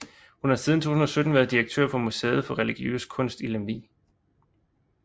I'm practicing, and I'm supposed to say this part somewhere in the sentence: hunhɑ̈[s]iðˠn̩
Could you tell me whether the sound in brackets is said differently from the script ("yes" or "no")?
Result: no